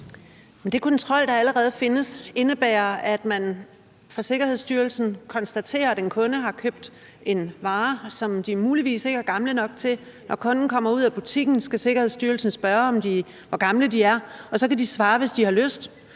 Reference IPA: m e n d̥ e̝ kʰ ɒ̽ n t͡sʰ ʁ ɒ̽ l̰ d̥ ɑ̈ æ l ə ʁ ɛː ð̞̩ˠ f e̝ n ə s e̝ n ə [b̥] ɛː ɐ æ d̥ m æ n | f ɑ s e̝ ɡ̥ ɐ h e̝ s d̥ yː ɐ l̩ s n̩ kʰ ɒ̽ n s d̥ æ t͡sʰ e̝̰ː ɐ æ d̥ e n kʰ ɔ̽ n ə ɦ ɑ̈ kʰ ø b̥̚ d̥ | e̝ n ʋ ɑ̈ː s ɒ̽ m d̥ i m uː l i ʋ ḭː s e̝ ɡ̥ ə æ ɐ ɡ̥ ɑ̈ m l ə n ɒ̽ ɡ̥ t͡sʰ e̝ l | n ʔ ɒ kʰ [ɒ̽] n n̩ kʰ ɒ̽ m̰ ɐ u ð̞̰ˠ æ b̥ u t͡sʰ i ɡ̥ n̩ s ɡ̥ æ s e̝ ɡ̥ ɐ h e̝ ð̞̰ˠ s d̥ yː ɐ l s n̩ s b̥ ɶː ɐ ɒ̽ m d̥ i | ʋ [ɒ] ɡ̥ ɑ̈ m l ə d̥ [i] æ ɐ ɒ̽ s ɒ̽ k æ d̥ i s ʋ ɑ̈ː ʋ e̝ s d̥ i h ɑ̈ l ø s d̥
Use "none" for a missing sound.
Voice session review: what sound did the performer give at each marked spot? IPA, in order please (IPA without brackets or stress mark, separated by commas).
b̥, ɔ̽, ɒ, i